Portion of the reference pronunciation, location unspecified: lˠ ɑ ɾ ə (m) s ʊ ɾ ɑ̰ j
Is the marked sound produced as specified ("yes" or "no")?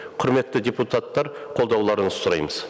no